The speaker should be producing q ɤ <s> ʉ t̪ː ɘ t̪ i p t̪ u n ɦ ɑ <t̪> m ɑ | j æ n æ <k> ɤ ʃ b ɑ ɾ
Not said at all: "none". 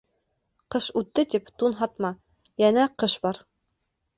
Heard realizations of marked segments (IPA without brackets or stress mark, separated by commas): ʃ, t̪, q